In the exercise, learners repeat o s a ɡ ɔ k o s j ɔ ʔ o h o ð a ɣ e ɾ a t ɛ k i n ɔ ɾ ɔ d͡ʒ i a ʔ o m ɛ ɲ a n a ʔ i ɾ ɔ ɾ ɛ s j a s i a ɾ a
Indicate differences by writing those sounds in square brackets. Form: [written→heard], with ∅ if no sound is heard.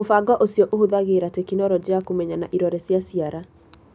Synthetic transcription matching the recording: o [s→f] a ɡ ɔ [k→ʔ] o s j ɔ ʔ o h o ð a ɣ e ɾ a t ɛ k i n ɔ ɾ ɔ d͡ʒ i a [ʔ→k] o m ɛ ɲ a n a ʔ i ɾ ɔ ɾ ɛ s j a s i a ɾ a